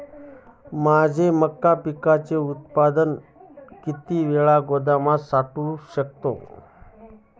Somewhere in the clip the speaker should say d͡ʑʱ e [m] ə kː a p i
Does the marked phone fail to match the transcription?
no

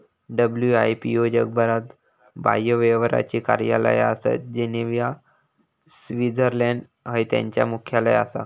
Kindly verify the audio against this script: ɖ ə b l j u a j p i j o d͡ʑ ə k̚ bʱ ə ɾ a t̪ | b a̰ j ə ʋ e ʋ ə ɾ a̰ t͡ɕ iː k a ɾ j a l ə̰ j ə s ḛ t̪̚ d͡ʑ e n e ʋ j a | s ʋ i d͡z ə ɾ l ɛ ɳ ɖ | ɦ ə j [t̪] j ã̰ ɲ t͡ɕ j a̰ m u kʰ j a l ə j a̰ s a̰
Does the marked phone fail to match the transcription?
no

